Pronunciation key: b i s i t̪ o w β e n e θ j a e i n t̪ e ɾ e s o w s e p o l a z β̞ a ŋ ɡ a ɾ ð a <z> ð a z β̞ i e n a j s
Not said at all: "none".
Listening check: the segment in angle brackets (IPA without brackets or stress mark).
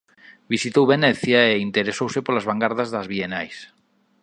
z